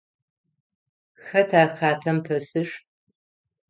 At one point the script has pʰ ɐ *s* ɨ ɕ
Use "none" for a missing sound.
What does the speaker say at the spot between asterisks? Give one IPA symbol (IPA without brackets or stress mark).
s